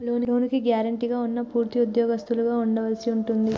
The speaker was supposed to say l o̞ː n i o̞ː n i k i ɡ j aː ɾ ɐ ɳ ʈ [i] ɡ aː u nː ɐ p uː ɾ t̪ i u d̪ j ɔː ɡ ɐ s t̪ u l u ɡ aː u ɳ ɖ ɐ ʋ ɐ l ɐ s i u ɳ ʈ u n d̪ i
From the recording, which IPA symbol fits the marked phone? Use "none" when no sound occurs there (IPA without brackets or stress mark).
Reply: i